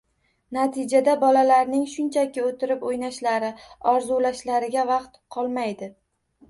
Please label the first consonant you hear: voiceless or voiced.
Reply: voiced